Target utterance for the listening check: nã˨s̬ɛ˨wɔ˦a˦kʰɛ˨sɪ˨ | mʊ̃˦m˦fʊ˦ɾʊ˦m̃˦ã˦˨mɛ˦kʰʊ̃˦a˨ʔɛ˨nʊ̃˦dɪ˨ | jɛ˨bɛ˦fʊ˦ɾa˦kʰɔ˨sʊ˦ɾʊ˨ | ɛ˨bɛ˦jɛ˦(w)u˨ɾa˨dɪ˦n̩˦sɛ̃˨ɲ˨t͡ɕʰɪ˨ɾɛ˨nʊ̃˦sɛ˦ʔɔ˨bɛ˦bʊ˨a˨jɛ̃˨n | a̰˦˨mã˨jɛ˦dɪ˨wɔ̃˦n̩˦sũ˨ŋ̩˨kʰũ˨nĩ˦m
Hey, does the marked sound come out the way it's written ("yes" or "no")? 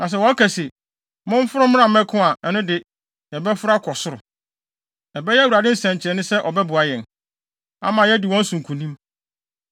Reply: yes